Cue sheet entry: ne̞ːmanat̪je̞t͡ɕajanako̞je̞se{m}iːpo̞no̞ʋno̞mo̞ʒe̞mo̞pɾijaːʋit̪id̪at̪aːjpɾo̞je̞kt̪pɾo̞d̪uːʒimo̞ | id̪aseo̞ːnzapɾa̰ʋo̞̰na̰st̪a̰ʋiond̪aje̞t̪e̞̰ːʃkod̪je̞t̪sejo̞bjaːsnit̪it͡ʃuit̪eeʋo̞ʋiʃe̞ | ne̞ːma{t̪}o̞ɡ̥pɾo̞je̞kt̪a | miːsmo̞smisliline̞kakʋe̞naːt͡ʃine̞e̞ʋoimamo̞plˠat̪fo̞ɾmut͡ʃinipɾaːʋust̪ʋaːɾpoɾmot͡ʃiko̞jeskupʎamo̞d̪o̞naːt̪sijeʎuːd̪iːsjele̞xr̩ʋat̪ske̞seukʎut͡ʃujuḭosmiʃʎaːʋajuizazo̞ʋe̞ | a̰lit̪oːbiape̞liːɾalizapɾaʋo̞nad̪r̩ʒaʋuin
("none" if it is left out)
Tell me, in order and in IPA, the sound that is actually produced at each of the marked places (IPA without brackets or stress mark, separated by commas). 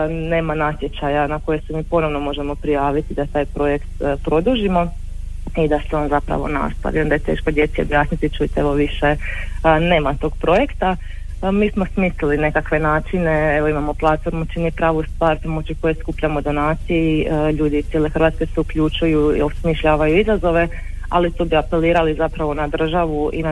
m, t̪